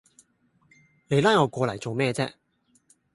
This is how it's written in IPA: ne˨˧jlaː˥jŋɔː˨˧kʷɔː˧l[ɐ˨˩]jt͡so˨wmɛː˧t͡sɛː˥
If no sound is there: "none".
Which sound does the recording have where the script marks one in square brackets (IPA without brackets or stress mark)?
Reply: ɐ˨˩